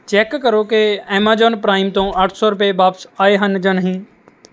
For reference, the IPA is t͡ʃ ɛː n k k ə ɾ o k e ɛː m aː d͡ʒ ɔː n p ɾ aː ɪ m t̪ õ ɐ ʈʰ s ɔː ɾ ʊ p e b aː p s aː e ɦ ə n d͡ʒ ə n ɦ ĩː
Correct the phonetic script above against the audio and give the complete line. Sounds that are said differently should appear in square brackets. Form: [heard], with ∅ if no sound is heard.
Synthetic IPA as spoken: t͡ʃ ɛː [∅] k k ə ɾ o k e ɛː m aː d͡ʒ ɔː n p ɾ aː ɪ m t̪ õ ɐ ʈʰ s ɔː ɾ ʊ p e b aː p s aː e ɦ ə n d͡ʒ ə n ɦ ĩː